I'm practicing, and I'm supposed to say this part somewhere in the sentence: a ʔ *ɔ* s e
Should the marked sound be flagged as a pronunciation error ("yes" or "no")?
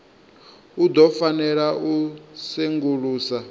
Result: yes